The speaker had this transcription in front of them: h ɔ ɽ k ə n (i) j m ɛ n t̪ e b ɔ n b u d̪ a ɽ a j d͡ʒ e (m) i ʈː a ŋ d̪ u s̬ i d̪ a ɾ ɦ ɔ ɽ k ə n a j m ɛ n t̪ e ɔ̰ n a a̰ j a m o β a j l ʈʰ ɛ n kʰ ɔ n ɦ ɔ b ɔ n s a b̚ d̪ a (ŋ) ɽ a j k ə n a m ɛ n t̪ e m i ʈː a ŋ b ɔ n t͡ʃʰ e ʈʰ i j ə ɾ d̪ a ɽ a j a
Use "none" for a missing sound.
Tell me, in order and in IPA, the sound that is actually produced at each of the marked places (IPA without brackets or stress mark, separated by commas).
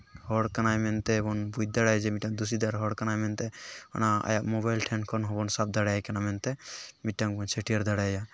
a, m, none